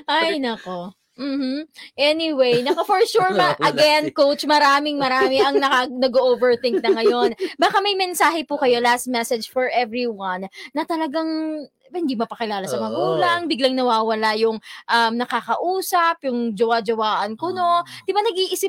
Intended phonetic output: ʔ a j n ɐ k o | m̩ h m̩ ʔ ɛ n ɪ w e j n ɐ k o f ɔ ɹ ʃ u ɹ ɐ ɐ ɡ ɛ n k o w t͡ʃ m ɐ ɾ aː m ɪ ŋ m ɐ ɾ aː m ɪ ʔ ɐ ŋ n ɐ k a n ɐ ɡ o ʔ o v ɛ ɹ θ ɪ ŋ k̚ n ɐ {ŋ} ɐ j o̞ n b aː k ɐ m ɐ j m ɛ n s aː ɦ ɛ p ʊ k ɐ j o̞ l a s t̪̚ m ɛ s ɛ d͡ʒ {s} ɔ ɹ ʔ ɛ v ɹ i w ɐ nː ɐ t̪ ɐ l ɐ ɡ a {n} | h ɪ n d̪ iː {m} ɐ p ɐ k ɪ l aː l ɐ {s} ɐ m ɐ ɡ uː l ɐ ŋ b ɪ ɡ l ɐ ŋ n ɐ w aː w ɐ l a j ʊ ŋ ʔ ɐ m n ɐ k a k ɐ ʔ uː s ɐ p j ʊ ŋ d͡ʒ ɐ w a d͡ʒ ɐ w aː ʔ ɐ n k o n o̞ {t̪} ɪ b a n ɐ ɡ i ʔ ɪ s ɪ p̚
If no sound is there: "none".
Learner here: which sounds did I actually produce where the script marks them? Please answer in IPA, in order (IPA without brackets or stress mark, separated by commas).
ŋ, f, ŋ, m, s, d̪